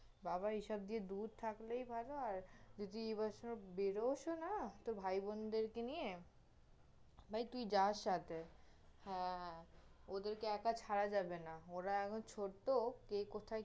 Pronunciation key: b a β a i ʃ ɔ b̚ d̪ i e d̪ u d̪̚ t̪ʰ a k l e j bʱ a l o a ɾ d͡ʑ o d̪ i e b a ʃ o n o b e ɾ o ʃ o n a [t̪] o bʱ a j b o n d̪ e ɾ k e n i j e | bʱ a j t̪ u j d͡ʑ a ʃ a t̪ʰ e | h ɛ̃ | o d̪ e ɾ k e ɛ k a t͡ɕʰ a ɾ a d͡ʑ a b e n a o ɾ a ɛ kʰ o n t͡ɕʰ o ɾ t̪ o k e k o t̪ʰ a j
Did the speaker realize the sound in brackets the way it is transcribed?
yes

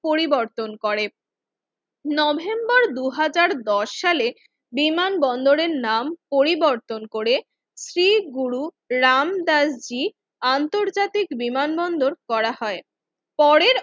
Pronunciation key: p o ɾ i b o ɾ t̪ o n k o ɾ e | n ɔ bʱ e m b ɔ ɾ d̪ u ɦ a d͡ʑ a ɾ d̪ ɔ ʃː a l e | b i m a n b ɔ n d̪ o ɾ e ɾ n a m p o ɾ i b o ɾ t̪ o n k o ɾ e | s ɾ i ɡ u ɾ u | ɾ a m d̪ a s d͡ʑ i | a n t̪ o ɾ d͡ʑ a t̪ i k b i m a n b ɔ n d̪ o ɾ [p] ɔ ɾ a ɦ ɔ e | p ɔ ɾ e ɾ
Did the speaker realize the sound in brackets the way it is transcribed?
no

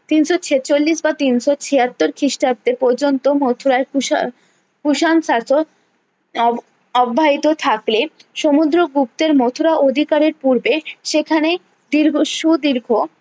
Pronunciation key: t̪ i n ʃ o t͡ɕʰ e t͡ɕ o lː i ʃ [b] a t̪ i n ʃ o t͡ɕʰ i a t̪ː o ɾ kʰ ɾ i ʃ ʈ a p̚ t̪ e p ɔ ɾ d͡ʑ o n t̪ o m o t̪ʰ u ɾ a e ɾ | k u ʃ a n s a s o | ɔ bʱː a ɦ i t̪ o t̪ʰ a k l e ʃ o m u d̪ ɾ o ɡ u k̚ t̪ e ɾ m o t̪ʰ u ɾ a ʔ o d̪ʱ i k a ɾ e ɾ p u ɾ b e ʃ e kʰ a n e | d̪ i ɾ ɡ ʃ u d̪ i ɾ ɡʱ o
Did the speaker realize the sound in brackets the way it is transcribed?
yes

